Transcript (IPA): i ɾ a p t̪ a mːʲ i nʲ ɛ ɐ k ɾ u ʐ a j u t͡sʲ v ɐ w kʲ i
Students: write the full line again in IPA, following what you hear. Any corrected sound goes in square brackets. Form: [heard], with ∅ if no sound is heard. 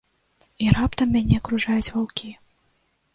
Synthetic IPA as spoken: i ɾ a p t̪ [ɐ] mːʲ [a] nʲ ɛ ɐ k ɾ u ʐ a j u t͡sʲ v [a] w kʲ i

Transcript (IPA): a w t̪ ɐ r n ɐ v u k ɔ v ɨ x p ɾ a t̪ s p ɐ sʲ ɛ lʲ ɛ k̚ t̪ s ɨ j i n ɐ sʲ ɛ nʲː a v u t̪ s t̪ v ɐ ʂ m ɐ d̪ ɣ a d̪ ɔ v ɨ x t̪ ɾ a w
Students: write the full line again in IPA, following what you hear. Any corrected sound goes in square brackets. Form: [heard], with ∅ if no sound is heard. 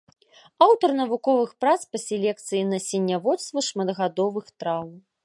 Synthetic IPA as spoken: a w t̪ ɐ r n ɐ v u k ɔ v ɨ x p ɾ a t̪ s p ɐ sʲ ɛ lʲ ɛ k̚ t̪ s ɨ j i n ɐ sʲ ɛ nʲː a v [ɔ] t̪ s t̪ v ɐ ʂ m ɐ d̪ ɣ a d̪ ɔ v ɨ x t̪ ɾ a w

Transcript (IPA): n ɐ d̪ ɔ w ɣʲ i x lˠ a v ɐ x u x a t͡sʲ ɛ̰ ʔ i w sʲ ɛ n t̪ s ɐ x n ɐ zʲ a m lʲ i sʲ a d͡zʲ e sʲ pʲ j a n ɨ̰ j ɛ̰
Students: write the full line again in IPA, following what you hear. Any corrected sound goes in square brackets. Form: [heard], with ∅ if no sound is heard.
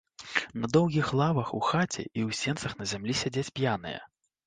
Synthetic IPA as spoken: n ɐ d̪ ɔ w ɣʲ i x lˠ a v ɐ x u x a t͡sʲ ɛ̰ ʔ i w sʲ ɛ n t̪ s ɐ x n ɐ zʲ a m lʲ i sʲ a d͡zʲ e [t͡sʲ] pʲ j a n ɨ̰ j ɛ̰

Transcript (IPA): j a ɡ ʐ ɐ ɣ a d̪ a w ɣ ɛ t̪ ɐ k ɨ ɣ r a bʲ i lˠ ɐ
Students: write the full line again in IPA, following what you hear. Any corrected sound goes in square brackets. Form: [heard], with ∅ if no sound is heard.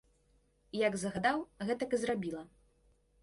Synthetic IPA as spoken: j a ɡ [z] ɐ ɣ a d̪ a w ɣ ɛ t̪ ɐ k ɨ [z] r a bʲ i lˠ ɐ

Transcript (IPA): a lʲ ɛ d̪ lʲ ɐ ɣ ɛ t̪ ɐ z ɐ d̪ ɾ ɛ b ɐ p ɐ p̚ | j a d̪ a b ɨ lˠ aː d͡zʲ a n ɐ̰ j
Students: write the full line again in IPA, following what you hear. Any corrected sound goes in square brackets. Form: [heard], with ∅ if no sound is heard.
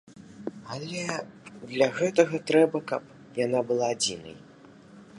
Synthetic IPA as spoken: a lʲ ɛ d̪ lʲ ɐ ɣ ɛ t̪ ɐ [ɣ] ɐ [t̪] ɾ ɛ b ɐ [k] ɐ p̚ | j a [n̪] a b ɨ lˠ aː d͡zʲ [i] n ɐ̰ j

